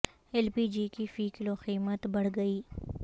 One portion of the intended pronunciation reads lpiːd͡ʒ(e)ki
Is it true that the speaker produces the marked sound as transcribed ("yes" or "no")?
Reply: no